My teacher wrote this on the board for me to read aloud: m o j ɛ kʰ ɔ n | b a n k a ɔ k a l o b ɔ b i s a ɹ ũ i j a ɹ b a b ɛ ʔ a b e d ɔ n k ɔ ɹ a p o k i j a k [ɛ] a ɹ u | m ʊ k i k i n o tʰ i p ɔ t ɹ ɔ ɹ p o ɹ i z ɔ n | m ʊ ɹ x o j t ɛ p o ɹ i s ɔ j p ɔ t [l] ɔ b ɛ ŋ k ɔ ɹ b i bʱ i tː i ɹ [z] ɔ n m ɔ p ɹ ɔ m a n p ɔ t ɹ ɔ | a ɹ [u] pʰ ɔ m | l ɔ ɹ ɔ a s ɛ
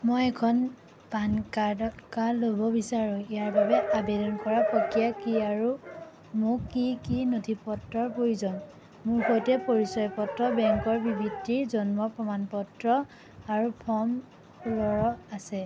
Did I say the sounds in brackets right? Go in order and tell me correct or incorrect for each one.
incorrect: i, incorrect: ɹ, correct, correct

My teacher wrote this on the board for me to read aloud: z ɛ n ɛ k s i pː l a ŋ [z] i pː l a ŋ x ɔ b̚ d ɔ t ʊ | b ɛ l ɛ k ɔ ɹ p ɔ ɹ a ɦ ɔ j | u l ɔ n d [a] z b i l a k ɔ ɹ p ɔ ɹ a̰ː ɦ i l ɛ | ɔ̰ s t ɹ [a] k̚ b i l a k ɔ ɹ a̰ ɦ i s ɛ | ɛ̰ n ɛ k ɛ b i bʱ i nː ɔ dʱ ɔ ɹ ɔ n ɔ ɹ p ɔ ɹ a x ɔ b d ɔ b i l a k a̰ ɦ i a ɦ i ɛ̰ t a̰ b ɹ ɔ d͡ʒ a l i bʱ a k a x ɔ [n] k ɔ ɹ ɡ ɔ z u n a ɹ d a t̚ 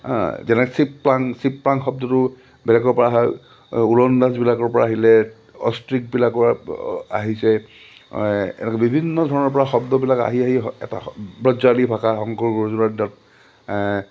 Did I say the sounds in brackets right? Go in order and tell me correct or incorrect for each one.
incorrect: s, correct, incorrect: i, incorrect: ŋ

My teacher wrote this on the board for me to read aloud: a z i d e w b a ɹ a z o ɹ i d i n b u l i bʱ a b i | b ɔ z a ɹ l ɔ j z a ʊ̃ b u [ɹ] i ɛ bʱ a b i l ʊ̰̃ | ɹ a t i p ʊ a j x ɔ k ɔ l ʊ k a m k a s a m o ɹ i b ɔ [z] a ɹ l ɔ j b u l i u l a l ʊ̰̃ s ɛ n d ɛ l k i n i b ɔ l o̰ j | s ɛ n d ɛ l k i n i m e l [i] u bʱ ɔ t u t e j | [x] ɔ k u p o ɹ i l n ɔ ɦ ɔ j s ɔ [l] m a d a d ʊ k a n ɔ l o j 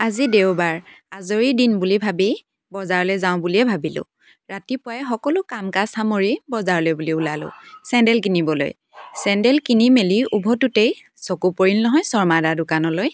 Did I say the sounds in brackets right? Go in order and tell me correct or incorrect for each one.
incorrect: l, correct, correct, incorrect: s, incorrect: ɹ

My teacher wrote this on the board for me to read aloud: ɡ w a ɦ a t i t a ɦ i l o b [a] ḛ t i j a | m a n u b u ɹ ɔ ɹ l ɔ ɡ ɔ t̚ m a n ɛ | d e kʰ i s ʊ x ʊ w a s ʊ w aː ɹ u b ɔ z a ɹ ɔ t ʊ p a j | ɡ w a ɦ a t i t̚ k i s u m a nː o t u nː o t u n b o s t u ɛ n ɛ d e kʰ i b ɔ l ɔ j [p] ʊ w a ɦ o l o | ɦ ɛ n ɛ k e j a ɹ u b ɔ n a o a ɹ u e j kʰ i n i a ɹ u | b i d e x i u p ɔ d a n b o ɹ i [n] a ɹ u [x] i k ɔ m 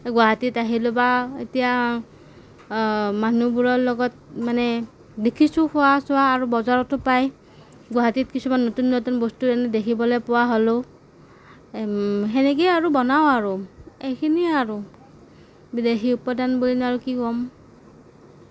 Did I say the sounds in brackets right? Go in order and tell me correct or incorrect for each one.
correct, correct, correct, incorrect: k

